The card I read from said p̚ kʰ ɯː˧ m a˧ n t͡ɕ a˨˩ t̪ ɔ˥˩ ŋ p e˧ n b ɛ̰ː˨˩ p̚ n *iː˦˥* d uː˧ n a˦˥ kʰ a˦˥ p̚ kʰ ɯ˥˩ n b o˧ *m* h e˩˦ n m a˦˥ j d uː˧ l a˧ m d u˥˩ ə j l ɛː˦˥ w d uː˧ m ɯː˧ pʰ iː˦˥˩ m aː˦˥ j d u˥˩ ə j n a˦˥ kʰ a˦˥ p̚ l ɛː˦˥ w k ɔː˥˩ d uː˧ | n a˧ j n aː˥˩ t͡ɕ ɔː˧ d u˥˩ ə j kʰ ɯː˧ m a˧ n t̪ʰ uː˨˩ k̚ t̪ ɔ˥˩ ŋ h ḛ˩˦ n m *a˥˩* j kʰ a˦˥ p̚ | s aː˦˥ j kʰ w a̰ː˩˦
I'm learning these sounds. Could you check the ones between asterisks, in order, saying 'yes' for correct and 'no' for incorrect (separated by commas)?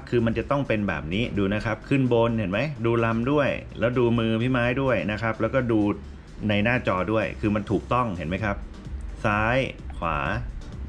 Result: yes, no, no